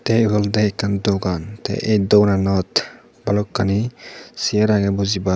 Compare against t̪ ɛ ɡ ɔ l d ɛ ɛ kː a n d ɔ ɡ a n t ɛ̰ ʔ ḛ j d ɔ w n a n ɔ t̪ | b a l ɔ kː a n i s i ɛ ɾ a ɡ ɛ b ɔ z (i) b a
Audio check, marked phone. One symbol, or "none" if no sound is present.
i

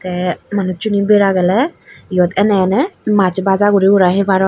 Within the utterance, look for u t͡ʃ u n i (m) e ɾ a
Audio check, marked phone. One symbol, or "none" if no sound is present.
b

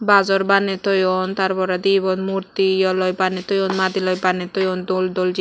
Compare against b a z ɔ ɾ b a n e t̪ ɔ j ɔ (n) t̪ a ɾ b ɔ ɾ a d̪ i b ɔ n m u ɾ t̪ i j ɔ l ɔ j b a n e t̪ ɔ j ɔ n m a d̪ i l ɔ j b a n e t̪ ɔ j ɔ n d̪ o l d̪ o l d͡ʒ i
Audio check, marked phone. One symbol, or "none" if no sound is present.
n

